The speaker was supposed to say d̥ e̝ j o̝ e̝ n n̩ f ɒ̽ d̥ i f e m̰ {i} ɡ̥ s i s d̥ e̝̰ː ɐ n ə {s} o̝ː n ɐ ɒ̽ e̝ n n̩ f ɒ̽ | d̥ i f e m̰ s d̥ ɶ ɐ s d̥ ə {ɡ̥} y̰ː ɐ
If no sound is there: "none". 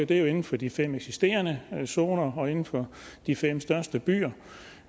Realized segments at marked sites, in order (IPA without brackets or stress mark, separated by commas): e, s, b̥